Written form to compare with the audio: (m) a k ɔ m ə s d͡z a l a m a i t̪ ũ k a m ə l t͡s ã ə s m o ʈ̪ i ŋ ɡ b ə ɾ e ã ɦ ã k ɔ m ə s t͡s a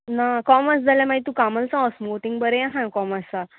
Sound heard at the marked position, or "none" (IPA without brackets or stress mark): n